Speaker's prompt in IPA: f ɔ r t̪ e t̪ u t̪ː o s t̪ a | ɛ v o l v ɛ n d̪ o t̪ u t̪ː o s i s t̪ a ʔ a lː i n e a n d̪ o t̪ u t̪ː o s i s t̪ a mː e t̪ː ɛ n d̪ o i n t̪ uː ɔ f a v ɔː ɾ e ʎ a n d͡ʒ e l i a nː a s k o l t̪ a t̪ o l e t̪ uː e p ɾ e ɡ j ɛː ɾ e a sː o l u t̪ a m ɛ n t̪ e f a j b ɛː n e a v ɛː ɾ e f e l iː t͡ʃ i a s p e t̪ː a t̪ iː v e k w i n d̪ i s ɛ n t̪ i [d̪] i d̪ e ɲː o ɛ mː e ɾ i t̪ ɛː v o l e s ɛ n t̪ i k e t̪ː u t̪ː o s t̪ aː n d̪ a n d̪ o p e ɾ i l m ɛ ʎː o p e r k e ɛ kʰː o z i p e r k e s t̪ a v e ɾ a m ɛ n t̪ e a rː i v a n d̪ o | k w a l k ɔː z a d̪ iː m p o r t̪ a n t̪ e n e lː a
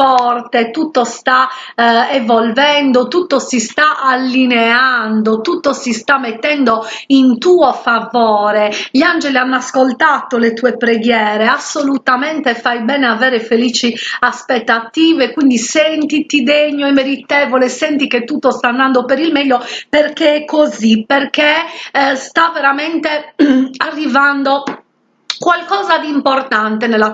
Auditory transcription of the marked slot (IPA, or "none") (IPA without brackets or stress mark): t̪